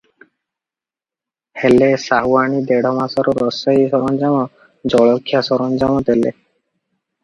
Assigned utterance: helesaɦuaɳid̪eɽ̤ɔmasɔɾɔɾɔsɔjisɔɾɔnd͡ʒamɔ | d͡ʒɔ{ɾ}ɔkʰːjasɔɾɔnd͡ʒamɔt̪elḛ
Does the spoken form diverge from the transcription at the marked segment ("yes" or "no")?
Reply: yes